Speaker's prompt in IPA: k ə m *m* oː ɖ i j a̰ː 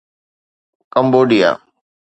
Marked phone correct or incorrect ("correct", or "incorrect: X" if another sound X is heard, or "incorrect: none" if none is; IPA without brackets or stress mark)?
incorrect: b